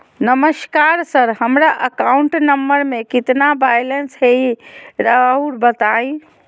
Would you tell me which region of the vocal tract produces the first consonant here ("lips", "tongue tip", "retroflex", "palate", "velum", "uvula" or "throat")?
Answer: tongue tip